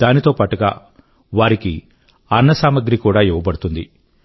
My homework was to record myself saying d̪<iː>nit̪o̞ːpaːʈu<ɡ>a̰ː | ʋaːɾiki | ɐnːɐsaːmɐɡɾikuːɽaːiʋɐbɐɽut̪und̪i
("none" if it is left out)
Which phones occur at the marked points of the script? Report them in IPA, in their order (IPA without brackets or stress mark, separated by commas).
aː, ɡ